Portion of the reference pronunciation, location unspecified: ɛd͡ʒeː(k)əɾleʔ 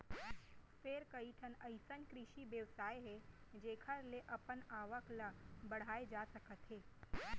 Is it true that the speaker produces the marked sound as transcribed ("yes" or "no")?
no